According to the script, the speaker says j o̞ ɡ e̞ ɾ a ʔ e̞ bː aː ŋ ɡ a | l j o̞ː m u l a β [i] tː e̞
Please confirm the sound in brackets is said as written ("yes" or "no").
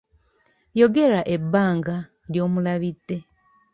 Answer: yes